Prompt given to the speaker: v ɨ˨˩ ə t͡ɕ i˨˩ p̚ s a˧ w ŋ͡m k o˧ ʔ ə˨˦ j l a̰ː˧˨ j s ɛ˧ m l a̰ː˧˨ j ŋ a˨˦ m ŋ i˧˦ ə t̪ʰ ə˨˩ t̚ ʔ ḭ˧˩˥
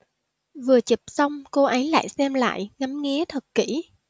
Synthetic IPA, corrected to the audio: v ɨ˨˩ ə t͡ɕ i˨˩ p̚ s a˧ w ŋ͡m k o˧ ʔ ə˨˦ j l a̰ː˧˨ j s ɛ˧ m l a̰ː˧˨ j ŋ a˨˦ m ŋ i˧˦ ə t̪ʰ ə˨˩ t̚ k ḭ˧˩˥